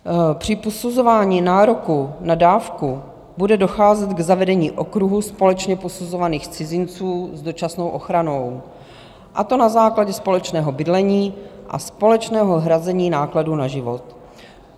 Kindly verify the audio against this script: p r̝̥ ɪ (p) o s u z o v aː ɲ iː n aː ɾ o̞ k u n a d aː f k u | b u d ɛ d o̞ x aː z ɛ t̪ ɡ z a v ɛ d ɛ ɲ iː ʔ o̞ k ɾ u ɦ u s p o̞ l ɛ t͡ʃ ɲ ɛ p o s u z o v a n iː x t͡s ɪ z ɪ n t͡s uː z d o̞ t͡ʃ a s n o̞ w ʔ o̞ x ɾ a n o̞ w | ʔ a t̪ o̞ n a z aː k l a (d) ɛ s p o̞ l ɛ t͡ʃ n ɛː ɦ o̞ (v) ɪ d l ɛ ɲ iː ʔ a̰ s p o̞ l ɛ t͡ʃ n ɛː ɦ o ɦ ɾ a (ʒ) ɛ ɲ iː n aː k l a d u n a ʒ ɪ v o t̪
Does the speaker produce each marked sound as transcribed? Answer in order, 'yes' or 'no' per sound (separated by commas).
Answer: yes, no, no, no